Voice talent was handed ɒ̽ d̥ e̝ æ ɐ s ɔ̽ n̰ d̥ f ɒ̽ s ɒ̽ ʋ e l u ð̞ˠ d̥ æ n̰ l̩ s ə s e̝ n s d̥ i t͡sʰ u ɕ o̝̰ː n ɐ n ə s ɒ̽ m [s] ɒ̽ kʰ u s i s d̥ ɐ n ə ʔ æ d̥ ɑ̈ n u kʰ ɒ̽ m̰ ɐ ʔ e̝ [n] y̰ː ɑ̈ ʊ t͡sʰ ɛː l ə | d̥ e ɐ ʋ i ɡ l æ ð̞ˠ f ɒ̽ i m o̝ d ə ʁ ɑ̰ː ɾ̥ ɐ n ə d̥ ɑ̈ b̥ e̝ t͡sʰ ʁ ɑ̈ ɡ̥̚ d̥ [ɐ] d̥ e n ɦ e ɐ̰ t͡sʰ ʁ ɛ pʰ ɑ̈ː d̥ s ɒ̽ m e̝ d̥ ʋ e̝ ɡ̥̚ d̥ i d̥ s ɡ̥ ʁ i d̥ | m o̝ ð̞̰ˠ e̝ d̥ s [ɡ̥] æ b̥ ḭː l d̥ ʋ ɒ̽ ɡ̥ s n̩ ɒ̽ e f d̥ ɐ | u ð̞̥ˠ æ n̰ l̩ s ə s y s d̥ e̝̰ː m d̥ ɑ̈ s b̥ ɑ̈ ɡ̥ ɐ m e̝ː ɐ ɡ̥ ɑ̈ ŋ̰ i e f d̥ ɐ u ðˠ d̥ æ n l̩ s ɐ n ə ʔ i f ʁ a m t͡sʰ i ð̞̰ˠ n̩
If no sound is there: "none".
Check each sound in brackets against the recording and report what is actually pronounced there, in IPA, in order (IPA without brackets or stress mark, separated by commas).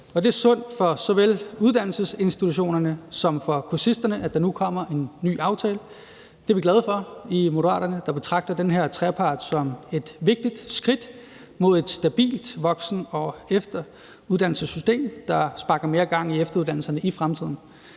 f, nː, ɐ, d̥